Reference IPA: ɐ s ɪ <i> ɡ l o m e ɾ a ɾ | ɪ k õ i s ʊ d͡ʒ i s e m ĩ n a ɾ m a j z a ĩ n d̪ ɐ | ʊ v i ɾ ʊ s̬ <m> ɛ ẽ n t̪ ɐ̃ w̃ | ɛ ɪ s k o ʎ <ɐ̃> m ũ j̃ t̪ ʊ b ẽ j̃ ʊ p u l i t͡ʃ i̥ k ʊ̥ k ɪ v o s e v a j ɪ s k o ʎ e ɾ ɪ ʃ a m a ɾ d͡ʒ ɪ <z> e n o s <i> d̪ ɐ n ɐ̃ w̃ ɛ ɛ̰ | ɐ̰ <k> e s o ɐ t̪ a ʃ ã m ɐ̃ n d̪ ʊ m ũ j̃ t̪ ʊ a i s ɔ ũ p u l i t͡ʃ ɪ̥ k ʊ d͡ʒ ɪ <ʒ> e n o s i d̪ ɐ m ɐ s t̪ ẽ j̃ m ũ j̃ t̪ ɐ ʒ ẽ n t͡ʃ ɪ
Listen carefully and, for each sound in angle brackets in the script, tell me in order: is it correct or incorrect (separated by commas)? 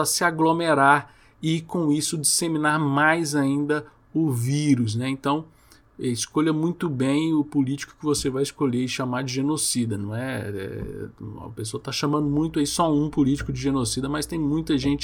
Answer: incorrect, incorrect, incorrect, incorrect, correct, incorrect, correct